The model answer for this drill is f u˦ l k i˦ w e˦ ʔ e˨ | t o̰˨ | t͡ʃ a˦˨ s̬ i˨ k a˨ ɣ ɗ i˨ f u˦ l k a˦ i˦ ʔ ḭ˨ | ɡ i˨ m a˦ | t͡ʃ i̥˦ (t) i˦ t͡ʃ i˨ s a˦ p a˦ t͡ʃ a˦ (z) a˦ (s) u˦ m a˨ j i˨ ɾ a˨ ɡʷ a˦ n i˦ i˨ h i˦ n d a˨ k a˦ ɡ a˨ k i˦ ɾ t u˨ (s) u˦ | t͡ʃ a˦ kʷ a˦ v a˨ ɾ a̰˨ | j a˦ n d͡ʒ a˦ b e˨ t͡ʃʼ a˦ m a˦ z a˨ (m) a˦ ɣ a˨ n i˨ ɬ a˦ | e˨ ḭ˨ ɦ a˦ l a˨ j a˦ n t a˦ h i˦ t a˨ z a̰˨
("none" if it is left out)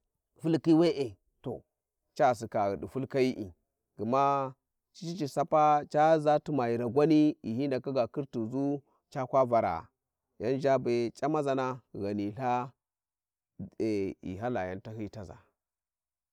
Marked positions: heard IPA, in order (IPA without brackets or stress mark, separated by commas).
t͡ʃ, z, t, z, n